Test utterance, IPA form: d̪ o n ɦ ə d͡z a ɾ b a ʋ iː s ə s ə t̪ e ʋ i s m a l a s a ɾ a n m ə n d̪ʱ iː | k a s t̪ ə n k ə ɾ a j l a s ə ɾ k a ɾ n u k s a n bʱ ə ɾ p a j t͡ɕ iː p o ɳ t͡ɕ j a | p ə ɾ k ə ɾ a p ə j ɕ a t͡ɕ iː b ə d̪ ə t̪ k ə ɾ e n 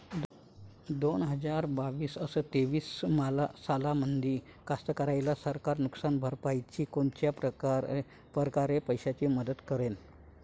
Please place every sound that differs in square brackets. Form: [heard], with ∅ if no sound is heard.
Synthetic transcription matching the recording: d̪ o n ɦ ə d͡z a ɾ b a ʋ iː s ə s ə t̪ e ʋ [iː] s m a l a s a [l] a [∅] m ə n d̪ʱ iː | k a s t̪ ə [∅] k ə ɾ a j l a s ə ɾ k a ɾ n u k s a n bʱ ə ɾ p a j t͡ɕ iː [k] o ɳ t͡ɕ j a | p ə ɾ k [a] ɾ [e] p ə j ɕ a t͡ɕ iː [m] ə d̪ ə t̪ k ə ɾ e n